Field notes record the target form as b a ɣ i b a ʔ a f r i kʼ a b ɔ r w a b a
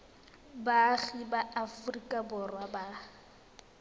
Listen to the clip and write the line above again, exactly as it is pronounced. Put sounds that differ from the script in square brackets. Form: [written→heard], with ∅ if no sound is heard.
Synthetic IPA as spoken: b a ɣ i b a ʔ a f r i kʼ a b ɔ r w a b a